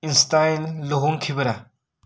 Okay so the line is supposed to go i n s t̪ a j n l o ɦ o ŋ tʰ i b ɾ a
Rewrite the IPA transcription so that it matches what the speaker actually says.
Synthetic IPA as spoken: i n s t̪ a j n l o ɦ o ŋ kʰ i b ɾ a